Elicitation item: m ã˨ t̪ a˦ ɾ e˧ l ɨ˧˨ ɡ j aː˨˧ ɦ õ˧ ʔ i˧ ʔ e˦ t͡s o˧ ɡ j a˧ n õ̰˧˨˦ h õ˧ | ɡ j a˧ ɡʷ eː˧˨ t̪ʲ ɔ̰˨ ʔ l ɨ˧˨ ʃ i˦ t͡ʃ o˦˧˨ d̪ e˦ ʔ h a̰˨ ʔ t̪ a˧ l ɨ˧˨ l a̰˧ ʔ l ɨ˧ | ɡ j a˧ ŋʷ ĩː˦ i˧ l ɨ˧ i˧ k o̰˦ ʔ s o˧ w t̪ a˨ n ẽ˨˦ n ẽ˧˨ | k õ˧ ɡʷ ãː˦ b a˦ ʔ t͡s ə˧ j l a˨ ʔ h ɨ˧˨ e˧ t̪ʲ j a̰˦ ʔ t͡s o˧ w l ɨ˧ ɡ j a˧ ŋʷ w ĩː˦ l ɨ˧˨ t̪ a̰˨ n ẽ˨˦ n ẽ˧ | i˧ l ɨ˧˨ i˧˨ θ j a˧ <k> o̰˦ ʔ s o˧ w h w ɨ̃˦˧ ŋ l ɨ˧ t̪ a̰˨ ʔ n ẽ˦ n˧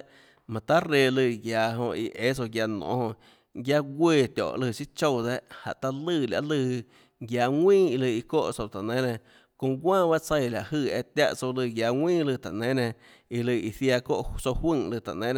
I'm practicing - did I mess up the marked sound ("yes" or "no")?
no